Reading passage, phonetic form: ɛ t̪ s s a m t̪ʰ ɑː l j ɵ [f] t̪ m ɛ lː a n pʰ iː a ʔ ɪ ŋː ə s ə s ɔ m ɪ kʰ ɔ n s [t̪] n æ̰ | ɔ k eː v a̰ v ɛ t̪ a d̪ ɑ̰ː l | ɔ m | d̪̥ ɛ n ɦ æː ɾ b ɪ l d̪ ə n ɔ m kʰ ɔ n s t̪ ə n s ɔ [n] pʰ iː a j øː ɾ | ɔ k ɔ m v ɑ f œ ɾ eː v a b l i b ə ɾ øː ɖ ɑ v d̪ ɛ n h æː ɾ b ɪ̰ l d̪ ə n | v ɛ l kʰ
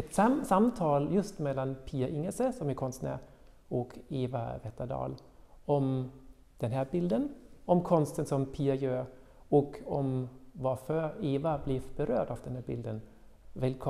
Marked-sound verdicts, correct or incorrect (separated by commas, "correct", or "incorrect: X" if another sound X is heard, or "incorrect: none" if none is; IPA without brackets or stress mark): incorrect: s, correct, incorrect: m